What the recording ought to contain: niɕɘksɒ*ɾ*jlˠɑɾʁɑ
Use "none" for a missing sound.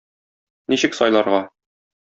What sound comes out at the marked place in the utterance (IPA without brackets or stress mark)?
none